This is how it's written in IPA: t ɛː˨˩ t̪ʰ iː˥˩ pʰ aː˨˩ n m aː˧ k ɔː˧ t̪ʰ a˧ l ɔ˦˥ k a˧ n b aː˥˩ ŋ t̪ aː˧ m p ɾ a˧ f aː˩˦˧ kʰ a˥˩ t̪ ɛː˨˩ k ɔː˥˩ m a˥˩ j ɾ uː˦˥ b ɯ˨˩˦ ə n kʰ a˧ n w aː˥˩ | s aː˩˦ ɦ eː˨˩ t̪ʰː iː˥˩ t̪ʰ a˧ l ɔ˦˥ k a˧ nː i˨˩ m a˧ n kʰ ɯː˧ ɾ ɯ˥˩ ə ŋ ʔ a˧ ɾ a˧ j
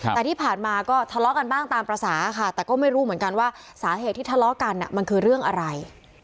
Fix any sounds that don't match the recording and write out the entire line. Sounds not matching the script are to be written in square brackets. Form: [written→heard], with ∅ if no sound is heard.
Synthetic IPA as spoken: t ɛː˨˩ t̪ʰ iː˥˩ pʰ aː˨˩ n m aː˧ k [ɔː˧→ɔː˥˩] t̪ʰ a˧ l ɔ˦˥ k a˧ n b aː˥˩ ŋ t̪ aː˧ m p ɾ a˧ [f→s] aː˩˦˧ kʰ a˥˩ t̪ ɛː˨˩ k ɔː˥˩ m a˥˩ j ɾ uː˦˥ [b→m] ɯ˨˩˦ ə n [kʰ→k] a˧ n w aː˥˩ | s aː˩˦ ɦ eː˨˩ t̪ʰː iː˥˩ t̪ʰ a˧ l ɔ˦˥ k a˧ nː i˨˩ m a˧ n kʰ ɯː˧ ɾ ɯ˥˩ ə ŋ ʔ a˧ ɾ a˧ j